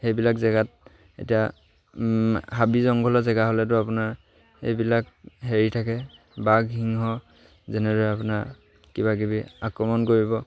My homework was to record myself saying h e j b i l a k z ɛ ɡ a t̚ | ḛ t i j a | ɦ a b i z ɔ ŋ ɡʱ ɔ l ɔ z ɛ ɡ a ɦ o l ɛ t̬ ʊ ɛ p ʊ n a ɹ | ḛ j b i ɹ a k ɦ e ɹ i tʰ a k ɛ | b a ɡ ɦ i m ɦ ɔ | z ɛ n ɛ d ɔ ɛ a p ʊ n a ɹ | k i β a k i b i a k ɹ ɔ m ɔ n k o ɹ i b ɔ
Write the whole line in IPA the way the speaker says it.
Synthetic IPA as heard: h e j b i l a k z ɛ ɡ a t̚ | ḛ t i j a | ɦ a b i z ɔ ŋ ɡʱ ɔ l ɔ z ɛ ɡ a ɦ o l ɛ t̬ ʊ a p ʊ n a ɹ | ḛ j b i l a k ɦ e ɹ i tʰ a k ɛ | b a ɡ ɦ i ŋ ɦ ɔ | z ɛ n ɛ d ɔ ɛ a p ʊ n a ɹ | k i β a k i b i a k ɹ ɔ m ɔ n k o ɹ i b ɔ